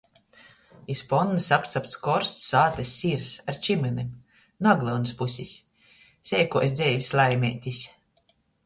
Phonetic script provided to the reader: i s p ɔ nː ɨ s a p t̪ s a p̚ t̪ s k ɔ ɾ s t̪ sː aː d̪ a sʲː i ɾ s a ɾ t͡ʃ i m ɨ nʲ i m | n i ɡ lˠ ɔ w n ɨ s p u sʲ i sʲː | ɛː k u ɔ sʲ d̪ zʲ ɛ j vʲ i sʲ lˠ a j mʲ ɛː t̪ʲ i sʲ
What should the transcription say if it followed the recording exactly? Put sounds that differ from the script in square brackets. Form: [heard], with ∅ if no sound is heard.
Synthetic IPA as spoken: i s p ɔ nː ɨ s a p t̪ s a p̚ t̪ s k ɔ ɾ s t̪ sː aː [t̪] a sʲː i ɾ s a ɾ t͡ʃ i m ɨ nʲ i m | n [a] ɡ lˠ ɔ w n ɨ s p u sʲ i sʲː | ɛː k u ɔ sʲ d̪ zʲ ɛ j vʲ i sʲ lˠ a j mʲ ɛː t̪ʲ i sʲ